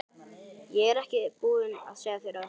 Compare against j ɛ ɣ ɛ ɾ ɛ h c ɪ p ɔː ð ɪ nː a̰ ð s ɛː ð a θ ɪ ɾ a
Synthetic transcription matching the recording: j ɛ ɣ ɛ ɾ ɛ h c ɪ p uː ð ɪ n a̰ ð s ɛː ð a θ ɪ ɾ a